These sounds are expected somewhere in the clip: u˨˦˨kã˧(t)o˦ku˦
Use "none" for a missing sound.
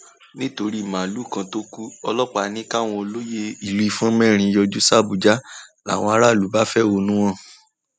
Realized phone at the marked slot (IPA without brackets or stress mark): t